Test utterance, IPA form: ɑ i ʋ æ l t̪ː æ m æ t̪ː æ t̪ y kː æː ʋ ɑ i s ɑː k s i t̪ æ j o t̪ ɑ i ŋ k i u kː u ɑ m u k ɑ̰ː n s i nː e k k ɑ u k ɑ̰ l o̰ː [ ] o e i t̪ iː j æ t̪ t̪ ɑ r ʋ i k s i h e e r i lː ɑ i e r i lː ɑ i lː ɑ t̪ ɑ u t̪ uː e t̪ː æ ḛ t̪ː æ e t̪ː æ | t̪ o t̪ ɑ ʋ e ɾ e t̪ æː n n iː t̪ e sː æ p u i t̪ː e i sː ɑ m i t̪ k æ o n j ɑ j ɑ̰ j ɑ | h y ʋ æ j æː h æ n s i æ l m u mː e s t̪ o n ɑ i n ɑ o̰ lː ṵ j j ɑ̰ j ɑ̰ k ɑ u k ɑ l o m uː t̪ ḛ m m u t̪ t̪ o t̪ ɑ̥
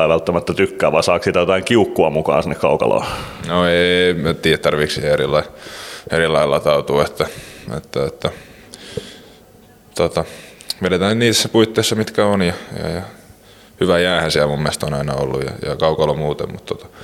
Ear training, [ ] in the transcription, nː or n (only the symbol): n